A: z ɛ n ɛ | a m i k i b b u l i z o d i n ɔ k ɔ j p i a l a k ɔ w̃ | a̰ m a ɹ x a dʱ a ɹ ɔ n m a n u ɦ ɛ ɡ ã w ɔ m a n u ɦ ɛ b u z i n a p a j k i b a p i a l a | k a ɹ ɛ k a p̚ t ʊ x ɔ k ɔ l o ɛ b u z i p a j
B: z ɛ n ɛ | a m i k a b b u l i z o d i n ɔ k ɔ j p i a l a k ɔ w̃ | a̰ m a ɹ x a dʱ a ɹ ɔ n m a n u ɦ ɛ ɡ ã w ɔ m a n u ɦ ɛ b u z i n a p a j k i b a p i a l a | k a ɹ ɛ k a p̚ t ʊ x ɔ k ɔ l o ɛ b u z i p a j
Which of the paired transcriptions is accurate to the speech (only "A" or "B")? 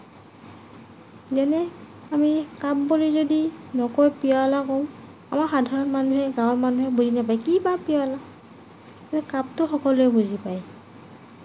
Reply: B